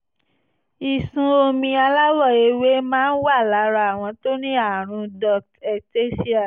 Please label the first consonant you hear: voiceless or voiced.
voiceless